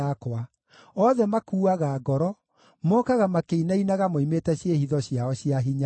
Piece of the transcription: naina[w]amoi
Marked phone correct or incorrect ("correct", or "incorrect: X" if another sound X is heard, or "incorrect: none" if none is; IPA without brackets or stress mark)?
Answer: incorrect: ɣ